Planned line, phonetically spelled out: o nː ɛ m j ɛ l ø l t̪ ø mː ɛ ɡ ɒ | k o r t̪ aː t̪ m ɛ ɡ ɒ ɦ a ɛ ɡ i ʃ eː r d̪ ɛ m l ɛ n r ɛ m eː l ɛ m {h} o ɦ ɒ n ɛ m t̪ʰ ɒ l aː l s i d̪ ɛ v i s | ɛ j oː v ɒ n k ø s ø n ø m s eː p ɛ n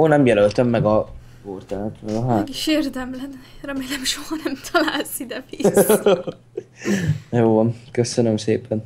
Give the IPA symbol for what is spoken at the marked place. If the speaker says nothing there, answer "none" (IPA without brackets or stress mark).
ʃ